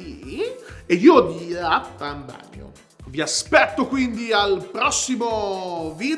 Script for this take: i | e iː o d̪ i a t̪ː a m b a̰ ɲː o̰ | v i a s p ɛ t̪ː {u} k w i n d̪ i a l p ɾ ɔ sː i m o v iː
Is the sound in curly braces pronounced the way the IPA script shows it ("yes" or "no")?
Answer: no